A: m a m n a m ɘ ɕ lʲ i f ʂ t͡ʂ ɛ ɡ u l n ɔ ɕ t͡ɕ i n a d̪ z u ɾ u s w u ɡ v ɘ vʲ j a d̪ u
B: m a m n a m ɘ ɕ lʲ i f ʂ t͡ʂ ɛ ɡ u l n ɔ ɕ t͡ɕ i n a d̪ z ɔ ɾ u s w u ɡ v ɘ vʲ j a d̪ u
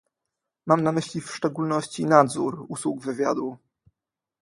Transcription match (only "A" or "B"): A